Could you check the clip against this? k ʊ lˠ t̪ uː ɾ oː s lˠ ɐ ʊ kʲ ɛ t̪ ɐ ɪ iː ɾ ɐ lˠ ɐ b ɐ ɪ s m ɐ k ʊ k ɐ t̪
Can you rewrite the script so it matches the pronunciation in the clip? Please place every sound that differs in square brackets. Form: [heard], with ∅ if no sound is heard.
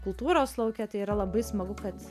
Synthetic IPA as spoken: k ʊ lˠ t̪ uː ɾ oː s lˠ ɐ ʊ kʲ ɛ t̪ ɐ ɪ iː ɾ ɐ lˠ ɐ b ɐ ɪ s m ɐ [ɡ] ʊ k ɐ t̪